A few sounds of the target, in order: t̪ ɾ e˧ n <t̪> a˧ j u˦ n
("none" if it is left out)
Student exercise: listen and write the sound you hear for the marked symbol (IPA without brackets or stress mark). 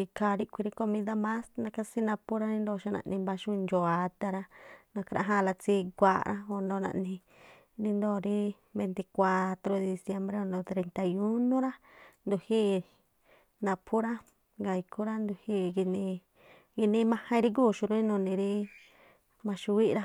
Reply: t̪